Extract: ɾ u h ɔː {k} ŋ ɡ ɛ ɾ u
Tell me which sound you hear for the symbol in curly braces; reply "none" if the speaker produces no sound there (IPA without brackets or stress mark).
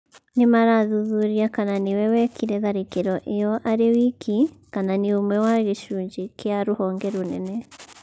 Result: none